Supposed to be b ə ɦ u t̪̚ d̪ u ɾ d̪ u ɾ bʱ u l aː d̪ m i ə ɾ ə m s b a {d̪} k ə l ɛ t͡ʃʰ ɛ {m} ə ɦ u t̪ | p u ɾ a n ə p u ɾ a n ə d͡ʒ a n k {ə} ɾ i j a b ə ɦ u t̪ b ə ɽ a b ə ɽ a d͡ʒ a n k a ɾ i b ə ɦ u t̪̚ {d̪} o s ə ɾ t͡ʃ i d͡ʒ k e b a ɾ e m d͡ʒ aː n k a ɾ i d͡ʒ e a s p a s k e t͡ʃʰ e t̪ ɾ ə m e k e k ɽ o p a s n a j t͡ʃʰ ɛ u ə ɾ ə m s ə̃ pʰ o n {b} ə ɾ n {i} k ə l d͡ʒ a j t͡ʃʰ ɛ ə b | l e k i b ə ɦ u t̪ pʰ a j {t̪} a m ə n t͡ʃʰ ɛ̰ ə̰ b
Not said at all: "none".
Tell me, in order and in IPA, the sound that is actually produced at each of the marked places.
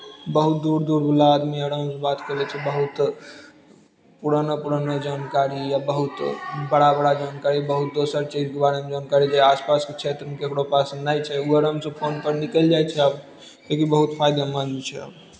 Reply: t̪, b, a, d̪, p, i, d̪

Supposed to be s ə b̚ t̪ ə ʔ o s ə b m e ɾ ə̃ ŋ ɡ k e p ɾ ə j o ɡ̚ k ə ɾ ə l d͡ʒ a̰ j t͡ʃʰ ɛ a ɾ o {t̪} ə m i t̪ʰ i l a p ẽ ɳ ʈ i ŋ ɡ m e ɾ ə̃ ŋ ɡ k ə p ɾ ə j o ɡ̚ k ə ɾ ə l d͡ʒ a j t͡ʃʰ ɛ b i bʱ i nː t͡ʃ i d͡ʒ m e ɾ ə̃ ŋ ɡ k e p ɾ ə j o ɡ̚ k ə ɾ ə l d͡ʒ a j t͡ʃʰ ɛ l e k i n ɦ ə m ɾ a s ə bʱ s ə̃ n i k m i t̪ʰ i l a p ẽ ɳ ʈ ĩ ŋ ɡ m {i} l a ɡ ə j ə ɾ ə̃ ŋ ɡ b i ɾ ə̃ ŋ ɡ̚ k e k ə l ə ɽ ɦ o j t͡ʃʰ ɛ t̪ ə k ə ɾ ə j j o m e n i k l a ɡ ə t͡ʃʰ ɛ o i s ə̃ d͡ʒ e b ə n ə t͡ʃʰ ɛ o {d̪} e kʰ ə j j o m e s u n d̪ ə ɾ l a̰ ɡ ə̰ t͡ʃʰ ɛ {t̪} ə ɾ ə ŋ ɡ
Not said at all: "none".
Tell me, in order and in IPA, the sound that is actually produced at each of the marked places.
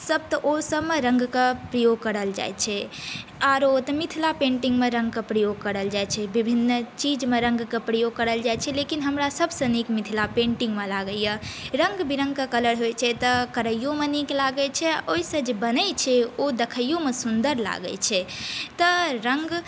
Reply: t̪, e, d̪, t̪

